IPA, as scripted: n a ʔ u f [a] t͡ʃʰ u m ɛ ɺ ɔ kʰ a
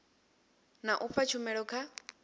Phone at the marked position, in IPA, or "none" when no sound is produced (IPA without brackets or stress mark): a